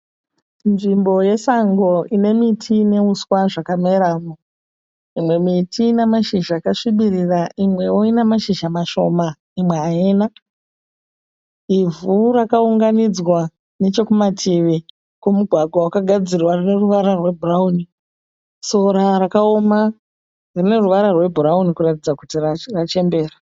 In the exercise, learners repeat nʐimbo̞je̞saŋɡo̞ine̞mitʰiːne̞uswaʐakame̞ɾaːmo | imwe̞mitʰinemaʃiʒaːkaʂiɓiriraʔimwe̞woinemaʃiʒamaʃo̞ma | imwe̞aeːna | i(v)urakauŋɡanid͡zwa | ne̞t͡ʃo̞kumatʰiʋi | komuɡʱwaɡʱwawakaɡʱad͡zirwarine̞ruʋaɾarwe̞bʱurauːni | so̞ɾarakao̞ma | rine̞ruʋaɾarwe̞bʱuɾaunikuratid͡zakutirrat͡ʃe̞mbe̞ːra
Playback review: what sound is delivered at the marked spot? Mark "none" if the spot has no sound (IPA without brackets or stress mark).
v